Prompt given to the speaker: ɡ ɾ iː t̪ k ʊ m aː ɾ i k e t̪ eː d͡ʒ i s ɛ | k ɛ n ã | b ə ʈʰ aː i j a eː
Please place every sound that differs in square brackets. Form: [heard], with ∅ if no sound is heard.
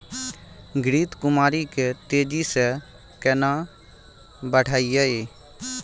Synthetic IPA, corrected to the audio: ɡ ɾ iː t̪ k ʊ m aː ɾ i k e t̪ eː d͡ʒ i s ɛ | k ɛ n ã | b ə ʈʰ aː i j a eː